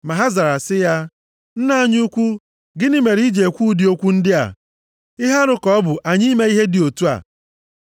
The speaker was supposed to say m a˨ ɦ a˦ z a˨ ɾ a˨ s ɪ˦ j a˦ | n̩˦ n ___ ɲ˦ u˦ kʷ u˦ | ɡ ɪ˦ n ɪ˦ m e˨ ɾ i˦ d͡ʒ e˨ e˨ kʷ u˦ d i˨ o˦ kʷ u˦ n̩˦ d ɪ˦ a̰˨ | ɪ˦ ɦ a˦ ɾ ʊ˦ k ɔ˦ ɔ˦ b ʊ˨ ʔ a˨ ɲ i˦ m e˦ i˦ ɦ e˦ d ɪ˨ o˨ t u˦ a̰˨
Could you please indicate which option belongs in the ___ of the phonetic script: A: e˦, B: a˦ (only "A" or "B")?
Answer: B